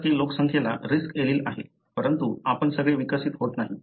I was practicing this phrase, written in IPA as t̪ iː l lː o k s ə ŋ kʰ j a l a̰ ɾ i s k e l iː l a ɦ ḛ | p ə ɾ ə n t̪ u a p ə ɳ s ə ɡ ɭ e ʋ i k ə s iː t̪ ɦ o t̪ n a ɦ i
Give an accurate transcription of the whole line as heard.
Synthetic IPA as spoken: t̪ iː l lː o k s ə ŋ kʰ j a l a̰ ɾ i s k e l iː l a ɦ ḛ | p ə ɾ ə n t̪ u a p ə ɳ s ə ɡ ɭ e ʋ i k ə s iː t̪ ɦ o t̪ n a ɦ i